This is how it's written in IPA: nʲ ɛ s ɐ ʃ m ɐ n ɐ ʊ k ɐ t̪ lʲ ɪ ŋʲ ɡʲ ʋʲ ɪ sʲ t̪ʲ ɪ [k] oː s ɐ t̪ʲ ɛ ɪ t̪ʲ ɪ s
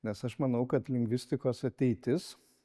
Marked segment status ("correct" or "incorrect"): correct